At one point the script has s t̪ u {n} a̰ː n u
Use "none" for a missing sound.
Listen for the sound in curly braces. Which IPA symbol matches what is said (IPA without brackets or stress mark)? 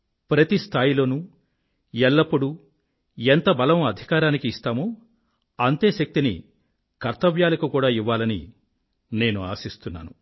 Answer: nː